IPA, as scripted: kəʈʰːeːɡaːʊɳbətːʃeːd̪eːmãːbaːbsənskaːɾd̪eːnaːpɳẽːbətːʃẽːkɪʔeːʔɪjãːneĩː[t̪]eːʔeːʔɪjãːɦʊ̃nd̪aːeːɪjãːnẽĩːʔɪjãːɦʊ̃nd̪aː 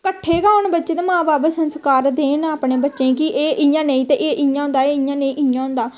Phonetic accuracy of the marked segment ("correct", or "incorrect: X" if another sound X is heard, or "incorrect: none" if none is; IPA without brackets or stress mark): correct